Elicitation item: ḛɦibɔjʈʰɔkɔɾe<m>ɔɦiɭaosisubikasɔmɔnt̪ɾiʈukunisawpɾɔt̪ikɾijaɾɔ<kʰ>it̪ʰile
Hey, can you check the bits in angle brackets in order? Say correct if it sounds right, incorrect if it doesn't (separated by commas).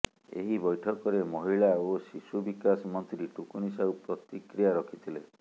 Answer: correct, correct